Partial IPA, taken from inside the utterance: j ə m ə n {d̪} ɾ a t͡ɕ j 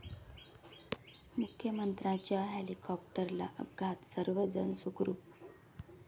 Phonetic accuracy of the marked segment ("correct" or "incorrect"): incorrect